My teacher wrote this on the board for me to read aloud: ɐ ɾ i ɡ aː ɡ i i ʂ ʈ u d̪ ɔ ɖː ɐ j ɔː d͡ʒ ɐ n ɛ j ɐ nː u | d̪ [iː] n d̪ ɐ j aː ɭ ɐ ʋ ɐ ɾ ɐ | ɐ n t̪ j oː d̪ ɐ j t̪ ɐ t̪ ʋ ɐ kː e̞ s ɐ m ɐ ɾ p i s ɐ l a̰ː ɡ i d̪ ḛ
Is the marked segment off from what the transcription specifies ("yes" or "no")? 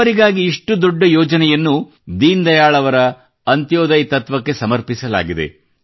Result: no